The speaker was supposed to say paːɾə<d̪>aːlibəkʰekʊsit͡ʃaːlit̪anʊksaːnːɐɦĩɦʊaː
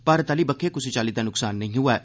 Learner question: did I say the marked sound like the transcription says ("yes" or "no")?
no